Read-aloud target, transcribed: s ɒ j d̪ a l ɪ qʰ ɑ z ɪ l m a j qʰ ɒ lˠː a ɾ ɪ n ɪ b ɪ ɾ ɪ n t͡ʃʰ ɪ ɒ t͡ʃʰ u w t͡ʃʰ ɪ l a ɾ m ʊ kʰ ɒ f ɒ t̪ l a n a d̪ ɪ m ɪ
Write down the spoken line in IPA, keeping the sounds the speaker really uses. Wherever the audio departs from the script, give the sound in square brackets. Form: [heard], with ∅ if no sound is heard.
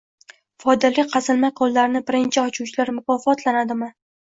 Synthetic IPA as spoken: [f] ɒ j d̪ a l ɪ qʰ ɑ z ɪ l m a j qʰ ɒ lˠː a ɾ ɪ n ɪ b ɪ ɾ ɪ n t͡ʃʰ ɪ ɒ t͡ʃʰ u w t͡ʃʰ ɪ l a ɾ m ʊ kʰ ɒ f ɒ t̪ l a n a d̪ ɪ m ɪ

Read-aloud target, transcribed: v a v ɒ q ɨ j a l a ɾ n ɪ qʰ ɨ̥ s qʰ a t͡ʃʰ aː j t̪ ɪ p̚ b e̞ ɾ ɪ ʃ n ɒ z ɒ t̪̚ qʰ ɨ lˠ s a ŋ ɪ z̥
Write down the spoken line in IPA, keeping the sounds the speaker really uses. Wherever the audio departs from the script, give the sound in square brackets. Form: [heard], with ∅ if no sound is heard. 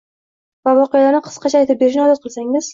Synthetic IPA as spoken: v a v ɒ q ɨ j a l a ɾ n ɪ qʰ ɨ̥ s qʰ [ɑ] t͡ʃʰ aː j t̪ ɪ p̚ b e̞ ɾ ɪ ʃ n ɒ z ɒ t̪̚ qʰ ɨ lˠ s a ŋ ɪ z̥

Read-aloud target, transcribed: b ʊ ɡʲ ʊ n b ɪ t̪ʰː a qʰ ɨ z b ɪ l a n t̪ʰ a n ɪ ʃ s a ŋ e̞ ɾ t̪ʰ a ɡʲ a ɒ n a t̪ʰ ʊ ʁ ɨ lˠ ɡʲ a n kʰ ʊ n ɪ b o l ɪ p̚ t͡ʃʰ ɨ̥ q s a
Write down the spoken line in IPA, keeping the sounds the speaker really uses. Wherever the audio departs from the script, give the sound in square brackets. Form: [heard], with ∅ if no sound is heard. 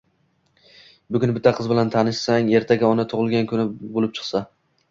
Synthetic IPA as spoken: b ʊ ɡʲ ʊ n b ɪ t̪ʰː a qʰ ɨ z b ɪ l a n t̪ʰ a n ɪ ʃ s a ŋ e̞ ɾ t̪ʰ a ɡʲ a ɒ n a t̪ʰ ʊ ʁ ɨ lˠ ɡʲ a n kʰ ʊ n ɪ b o l ɪ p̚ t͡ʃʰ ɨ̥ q s a

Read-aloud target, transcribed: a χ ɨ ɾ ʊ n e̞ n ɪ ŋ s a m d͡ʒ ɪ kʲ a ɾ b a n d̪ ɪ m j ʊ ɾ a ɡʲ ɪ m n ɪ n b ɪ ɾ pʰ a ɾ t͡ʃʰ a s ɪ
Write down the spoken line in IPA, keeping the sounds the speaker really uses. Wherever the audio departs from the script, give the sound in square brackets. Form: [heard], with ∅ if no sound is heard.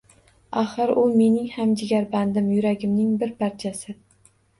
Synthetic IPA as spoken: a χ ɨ ɾ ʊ [m] e̞ n ɪ ŋ [h] a m d͡ʒ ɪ [ɡʲ] a ɾ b a n d̪ ɪ m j ʊ ɾ a ɡʲ ɪ m n ɪ [ŋ] b ɪ ɾ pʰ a ɾ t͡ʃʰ a s ɪ

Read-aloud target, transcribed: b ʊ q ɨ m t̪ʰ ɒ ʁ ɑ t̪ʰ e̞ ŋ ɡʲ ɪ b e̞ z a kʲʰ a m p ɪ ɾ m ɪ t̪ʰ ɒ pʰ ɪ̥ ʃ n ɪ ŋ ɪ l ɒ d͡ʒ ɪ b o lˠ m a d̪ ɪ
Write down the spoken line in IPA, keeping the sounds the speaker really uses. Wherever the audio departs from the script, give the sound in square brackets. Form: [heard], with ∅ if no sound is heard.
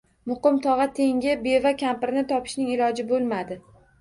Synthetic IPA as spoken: [m] ʊ q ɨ m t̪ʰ ɒ ʁ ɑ t̪ʰ e̞ ŋ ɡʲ ɪ b e̞ [v] a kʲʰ a m p ɪ ɾ [n] ɪ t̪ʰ ɒ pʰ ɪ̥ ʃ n ɪ ŋ ɪ l ɒ d͡ʒ ɪ b o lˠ m a d̪ ɪ

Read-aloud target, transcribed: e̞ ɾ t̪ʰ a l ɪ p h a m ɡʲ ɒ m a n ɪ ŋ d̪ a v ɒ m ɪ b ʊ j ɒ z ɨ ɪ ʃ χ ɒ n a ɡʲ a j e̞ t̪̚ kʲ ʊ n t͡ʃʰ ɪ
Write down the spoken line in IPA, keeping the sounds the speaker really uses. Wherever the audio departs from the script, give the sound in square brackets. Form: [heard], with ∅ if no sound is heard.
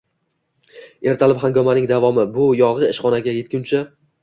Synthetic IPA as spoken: e̞ ɾ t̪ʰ a l ɪ p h a [ŋ] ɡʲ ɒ m a n ɪ ŋ d̪ a v ɒ m ɪ b ʊ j ɒ [ʁ] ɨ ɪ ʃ χ ɒ n a ɡʲ a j e̞ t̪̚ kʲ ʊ n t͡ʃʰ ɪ

